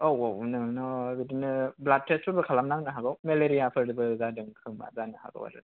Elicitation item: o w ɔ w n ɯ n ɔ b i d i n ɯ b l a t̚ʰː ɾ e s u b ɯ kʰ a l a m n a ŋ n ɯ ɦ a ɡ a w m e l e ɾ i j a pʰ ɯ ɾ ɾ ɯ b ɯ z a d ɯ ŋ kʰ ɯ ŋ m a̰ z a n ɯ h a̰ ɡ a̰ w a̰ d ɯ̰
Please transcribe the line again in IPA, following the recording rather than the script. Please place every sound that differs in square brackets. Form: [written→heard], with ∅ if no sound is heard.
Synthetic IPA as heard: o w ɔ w n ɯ n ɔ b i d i n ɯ b l a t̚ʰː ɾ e s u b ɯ kʰ a l a m n a ŋ n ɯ ɦ a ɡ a w m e l e ɾ i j a pʰ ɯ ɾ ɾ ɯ b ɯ z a d ɯ ŋ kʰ ɯ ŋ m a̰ z a n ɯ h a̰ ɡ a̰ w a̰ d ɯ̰